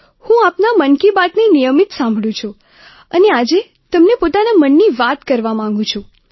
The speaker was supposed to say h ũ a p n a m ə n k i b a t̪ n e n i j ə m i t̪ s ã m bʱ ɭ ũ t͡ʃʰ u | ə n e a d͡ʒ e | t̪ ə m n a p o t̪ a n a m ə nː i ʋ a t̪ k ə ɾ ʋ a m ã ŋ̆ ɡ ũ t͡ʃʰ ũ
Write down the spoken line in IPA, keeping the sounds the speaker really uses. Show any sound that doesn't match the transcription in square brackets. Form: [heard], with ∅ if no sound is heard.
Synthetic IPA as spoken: h ũ a p n a m ə n k i b a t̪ n e n i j ə m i t̪ s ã m bʱ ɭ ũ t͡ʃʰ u | ə n e a d͡ʒ e | t̪ ə m n [e] p o t̪ a n a m ə nː i ʋ a t̪ k ə ɾ ʋ a m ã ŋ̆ ɡ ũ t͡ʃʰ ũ